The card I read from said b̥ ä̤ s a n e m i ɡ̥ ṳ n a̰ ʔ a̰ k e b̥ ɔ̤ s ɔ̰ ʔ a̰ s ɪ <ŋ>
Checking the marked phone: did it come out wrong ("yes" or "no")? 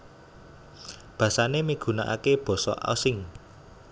no